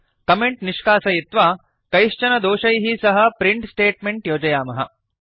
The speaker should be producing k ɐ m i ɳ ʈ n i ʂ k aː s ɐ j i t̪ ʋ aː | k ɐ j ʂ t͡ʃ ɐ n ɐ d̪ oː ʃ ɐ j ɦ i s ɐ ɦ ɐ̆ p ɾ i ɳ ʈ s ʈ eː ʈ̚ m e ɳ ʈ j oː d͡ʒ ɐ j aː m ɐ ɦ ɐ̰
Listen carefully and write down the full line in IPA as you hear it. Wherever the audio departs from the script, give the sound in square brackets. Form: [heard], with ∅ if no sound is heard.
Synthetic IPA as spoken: k ɐ m [e] ɳ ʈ n i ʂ k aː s ɐ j i t̪ ʋ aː | k ɐ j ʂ t͡ʃ ɐ n ɐ d̪ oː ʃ ɐ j ɦ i s ɐ ɦ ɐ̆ p ɾ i ɳ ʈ s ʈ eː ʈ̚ m e ɳ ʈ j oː d͡ʒ ɐ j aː m ɐ ɦ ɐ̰